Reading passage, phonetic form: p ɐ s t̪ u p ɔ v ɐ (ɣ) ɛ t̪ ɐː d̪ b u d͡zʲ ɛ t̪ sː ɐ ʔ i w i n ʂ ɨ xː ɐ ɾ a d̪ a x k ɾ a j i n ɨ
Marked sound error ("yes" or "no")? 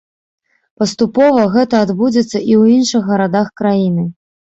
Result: no